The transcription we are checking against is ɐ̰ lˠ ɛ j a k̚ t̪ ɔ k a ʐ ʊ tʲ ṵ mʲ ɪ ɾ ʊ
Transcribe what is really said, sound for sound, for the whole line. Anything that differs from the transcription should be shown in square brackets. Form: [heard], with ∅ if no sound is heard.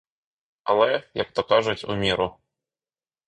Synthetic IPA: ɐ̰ lˠ ɛ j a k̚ t̪ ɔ k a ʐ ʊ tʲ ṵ mʲ [i] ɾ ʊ